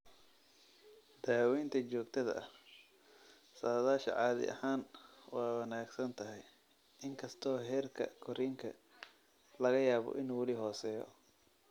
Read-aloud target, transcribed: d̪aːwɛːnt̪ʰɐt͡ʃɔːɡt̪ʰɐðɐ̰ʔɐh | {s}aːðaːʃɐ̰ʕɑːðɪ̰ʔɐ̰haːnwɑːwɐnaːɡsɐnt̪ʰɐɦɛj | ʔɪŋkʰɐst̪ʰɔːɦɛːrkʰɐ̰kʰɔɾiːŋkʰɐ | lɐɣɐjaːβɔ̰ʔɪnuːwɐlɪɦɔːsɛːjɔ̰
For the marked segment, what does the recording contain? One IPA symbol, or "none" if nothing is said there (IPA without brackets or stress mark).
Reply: s